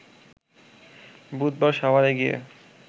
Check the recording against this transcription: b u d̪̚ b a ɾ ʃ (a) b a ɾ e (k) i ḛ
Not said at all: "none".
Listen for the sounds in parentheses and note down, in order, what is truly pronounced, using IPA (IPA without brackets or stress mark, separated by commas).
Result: a, ɡ